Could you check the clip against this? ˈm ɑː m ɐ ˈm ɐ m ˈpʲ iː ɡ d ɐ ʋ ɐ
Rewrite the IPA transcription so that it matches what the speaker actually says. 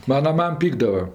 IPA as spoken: ˈm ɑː n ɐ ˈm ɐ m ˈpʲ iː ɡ d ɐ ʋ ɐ